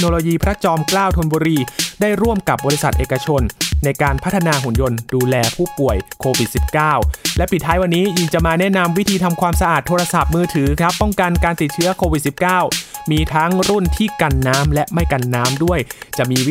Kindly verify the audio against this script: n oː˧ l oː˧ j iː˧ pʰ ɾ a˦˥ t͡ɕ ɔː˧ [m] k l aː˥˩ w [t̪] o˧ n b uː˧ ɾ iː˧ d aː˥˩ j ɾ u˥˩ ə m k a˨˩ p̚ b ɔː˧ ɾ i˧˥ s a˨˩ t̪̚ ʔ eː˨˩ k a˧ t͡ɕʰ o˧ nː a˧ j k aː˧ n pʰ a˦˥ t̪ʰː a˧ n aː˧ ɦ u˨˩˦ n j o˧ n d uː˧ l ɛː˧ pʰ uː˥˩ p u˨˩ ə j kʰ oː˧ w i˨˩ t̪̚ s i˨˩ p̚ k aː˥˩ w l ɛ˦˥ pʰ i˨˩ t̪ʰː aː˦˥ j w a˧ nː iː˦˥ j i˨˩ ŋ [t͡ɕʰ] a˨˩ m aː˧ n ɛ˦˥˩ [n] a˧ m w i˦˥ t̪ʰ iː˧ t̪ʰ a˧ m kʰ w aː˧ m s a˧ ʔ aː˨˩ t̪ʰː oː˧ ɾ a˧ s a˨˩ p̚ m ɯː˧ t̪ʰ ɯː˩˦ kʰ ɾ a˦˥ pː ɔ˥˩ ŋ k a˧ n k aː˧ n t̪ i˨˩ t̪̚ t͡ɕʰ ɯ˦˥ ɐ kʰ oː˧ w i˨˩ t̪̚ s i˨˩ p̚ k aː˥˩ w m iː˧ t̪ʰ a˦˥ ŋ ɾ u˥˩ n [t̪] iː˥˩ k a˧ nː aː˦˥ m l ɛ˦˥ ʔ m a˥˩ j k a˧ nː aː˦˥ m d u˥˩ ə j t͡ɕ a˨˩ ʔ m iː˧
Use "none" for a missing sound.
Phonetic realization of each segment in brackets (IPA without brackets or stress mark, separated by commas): m, t̪ʰ, t͡ɕ, n, t̪ʰ